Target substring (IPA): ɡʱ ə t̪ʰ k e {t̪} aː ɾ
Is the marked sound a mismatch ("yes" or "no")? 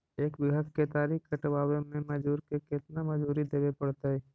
no